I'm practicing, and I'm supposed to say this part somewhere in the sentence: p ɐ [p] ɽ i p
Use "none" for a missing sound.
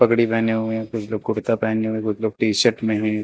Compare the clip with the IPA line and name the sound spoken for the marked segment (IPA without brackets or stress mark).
k